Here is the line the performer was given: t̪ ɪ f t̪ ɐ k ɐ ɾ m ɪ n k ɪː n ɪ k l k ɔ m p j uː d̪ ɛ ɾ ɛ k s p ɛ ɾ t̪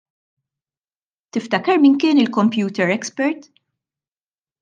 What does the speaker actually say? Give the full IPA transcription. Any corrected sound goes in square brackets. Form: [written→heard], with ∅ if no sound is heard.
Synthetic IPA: t̪ ɪ f t̪ ɐ k ɐ ɾ m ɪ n k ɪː n ɪ [k→∅] l k ɔ m p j uː [d̪→t̪] ɛ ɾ ɛ k s p ɛ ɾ t̪